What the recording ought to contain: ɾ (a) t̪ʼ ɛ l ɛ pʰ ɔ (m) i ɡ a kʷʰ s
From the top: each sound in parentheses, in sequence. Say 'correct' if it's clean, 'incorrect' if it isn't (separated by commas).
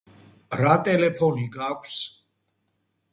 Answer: correct, incorrect